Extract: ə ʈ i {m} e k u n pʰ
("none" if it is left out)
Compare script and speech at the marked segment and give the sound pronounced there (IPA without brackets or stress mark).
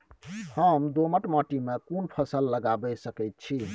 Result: m